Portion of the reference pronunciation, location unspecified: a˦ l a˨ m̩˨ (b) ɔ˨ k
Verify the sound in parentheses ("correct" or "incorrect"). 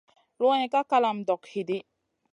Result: incorrect